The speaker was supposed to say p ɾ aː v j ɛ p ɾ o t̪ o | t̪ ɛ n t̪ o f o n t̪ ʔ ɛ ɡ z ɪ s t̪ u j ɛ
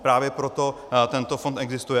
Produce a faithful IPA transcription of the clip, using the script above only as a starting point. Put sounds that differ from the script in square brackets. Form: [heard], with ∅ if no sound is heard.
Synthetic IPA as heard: p ɾ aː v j ɛ p ɾ o t̪ o | t̪ ɛ n t̪ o f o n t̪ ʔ ɛ ɡ z ɪ s t̪ u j ɛ